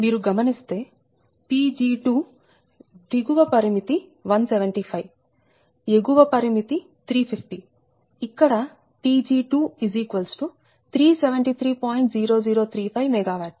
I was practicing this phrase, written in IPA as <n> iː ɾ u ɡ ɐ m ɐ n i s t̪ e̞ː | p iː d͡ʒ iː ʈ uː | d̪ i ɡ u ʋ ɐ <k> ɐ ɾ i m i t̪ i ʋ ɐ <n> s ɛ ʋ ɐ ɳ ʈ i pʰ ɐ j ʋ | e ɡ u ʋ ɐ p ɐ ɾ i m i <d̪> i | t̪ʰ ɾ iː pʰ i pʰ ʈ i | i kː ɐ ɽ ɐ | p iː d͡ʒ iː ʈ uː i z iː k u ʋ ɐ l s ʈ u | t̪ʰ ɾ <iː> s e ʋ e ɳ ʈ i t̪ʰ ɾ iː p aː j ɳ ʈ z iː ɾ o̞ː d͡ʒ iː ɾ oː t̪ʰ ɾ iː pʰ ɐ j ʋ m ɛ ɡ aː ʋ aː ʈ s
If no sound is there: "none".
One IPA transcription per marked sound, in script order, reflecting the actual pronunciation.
m, p, n, t̪, iː

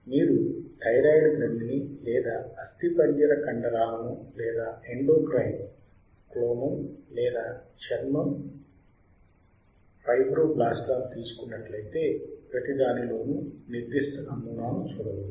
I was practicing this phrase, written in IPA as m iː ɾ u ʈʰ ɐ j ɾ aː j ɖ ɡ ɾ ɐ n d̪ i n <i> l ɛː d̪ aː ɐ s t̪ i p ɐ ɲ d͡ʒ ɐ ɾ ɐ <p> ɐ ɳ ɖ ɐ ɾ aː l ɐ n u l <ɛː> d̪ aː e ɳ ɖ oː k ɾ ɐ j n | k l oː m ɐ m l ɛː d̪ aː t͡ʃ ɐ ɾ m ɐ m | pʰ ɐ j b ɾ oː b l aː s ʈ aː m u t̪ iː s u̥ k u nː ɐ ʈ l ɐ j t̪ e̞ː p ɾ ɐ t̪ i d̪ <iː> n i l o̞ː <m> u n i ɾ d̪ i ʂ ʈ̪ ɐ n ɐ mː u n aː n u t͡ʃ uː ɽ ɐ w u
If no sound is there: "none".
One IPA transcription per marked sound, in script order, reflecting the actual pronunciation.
i, k, ɛː, aː, n

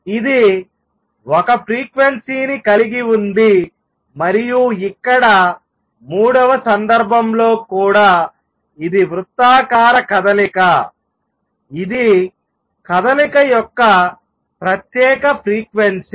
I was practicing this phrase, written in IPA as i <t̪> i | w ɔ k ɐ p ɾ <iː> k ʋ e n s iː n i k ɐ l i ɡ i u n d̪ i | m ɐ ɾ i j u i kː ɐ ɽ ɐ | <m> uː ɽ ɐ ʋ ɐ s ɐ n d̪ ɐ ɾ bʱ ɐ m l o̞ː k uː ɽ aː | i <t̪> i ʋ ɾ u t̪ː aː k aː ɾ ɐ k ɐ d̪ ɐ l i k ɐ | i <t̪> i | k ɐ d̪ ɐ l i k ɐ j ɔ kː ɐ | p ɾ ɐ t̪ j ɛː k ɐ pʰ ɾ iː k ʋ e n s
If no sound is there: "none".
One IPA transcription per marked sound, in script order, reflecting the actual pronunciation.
d̪, iː, m, d̪, d̪

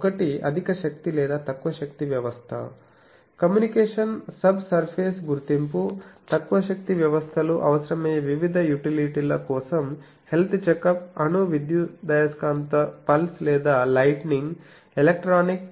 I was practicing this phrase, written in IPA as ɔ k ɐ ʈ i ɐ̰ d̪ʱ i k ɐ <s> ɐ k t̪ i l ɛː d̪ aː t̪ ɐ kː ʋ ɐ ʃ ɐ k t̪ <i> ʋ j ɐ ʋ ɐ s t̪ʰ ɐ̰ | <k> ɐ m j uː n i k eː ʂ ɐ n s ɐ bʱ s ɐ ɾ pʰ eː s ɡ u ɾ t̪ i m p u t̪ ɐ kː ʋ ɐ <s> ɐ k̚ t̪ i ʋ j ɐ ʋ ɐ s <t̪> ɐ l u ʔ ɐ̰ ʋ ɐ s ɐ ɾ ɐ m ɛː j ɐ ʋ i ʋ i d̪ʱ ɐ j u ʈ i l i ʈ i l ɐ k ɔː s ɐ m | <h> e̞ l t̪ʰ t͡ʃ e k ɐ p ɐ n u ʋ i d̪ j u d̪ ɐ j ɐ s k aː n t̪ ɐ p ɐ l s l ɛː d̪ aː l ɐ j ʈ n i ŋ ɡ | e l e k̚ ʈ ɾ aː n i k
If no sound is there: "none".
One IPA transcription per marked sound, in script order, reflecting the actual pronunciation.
ʃ, i, k, ʃ, t̪ʰ, h

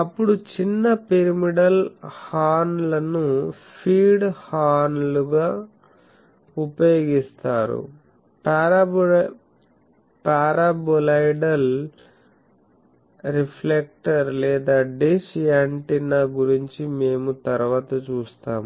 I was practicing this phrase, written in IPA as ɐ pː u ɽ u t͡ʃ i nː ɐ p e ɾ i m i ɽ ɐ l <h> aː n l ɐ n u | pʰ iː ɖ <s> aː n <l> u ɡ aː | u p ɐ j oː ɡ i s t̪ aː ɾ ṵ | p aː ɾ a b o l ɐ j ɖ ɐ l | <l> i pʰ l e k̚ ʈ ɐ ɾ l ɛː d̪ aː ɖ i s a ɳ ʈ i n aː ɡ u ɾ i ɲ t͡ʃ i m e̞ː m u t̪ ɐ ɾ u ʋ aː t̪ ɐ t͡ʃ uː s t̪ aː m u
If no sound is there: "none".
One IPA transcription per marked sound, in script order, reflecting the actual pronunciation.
h, h, l, ɾ

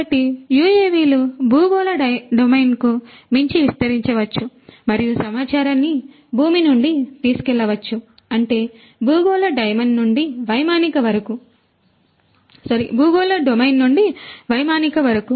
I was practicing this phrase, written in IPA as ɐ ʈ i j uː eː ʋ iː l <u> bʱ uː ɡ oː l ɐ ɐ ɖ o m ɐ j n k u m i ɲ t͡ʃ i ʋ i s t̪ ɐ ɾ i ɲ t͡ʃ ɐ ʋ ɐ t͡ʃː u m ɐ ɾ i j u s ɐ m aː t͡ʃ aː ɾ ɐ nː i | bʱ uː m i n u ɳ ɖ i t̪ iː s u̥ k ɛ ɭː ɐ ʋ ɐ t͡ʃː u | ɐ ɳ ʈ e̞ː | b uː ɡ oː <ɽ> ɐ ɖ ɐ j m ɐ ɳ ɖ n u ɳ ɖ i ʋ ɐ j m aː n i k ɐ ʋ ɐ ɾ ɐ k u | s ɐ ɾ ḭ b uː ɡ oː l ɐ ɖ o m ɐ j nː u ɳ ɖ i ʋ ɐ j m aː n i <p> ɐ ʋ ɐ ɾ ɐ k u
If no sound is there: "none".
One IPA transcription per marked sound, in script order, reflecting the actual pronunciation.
u, l, k

